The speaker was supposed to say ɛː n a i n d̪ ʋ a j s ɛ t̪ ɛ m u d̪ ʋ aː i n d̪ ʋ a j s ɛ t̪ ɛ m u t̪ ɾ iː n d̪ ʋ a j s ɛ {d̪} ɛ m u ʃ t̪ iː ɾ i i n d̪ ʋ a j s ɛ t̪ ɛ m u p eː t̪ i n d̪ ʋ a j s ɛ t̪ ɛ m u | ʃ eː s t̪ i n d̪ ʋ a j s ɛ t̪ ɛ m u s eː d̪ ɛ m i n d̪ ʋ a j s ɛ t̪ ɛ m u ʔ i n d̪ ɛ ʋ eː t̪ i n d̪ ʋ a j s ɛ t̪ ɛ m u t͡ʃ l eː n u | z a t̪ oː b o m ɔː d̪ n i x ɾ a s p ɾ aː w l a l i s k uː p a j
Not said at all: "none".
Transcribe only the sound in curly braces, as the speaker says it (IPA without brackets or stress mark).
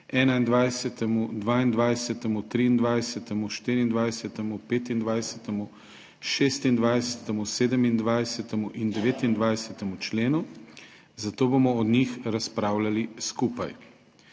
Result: t̪